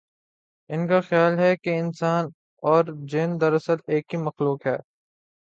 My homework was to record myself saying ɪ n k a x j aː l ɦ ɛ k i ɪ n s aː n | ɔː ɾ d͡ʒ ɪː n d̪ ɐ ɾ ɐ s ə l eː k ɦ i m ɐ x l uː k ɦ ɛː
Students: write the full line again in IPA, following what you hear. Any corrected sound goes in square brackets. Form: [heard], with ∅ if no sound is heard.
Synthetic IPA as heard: ɪ n k a x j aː l ɦ ɛ k [e] ɪ n s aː n | ɔː ɾ d͡ʒ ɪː n d̪ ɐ ɾ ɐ s ə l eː k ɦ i m ɐ x l uː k ɦ ɛː